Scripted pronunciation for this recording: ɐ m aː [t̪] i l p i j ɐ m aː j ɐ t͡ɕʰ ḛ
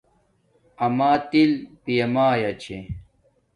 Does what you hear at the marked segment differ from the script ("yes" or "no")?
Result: no